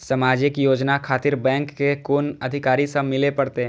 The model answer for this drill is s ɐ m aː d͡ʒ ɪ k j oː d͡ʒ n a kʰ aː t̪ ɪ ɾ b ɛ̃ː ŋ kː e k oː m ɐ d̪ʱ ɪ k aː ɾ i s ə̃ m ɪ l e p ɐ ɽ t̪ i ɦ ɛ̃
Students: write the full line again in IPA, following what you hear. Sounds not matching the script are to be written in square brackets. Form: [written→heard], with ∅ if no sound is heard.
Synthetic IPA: s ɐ m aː d͡ʒ ɪ k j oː d͡ʒ n a kʰ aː t̪ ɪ ɾ b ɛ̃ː ŋ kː e k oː [m→n] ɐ d̪ʱ ɪ k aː ɾ i s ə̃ m ɪ l e p ɐ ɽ t̪ [i→e] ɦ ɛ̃